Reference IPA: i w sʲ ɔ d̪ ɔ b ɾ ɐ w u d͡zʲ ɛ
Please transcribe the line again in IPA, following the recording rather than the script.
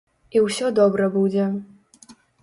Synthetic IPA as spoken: i w sʲ ɔ d̪ ɔ b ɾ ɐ b u d͡zʲ ɛ